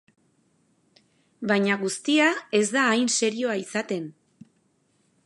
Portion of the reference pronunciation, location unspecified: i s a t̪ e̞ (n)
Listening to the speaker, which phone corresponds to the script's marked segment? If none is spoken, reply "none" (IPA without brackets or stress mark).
n